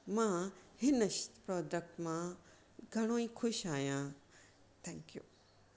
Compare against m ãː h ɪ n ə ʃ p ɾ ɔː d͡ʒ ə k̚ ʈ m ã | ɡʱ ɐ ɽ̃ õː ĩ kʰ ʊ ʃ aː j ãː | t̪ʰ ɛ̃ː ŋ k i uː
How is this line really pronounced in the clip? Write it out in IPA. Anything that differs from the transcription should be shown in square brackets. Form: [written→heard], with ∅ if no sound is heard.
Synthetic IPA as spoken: m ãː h ɪ n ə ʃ p ɾ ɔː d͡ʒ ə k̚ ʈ m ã | ɡʱ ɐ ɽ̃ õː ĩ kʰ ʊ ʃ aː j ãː | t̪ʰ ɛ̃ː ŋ k [i→j] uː